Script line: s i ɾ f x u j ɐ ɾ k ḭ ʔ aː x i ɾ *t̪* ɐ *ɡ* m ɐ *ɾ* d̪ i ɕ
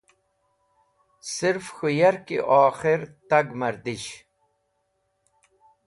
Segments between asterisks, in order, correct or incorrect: correct, correct, correct

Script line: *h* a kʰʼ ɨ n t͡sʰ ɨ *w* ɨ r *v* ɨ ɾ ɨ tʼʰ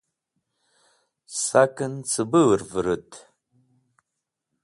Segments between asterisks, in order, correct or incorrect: incorrect: s, incorrect: b, correct

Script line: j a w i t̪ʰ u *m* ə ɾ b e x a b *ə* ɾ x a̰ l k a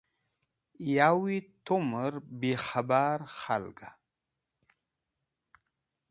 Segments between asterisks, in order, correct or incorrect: correct, incorrect: a

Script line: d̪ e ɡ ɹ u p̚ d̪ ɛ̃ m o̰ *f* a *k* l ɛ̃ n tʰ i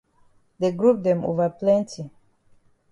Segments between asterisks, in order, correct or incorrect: incorrect: v, incorrect: p

